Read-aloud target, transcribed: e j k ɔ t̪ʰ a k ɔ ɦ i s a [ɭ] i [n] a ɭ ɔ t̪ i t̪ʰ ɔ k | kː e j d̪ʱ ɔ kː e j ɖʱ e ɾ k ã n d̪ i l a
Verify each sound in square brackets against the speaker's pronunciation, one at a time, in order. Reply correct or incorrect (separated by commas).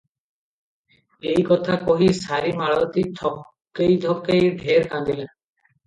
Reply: incorrect, incorrect